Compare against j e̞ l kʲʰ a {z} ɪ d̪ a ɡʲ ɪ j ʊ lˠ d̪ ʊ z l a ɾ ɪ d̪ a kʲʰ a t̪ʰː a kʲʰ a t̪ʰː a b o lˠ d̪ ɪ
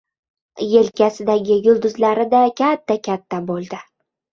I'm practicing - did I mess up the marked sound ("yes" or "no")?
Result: yes